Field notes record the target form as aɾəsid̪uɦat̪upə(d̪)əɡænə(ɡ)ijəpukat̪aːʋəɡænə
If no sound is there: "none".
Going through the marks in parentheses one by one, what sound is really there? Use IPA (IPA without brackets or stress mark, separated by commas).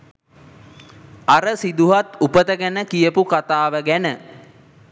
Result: t̪, k